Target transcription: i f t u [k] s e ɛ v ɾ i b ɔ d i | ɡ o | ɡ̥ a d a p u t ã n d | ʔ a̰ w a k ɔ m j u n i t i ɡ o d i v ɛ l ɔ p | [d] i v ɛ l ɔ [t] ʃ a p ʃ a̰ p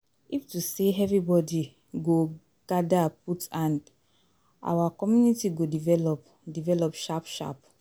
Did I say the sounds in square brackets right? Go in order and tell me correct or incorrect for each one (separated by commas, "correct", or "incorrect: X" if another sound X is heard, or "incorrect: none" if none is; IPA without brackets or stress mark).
incorrect: none, correct, incorrect: p